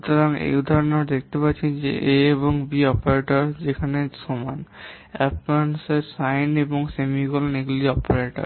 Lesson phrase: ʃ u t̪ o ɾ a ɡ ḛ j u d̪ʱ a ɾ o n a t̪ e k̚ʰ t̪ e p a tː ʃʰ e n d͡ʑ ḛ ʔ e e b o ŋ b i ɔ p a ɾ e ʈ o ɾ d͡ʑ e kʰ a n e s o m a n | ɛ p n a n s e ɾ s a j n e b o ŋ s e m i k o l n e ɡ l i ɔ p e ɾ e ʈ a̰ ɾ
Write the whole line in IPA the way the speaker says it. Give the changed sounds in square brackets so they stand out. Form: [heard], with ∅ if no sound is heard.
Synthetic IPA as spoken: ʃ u t̪ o ɾ a [ŋ] ḛ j u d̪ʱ a ɾ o n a [d̪] e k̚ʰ t̪ e p a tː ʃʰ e n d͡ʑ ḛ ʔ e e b o ŋ b i ɔ p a ɾ e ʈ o ɾ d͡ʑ e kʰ a n e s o m a n | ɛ p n a n s e ɾ s a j n e b o ŋ s e m i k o l n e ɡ l i ɔ p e ɾ e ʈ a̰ ɾ